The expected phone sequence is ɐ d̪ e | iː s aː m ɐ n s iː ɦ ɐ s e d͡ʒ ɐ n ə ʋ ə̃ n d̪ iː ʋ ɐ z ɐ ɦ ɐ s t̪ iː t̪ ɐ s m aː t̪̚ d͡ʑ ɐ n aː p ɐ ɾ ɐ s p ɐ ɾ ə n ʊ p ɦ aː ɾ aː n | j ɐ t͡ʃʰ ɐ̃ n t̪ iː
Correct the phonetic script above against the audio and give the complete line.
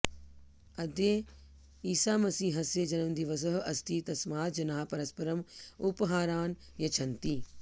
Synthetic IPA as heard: ɐ d̪ e | iː s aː m ɐ s iː ɦ ɐ s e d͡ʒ ɐ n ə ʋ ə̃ n d̪ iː ʋ ɐ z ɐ ɦ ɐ s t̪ iː t̪ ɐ s m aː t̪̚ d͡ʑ ɐ n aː p ɐ ɾ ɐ s p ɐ ɾ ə m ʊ p ɦ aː ɾ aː n | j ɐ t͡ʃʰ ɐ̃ n t̪ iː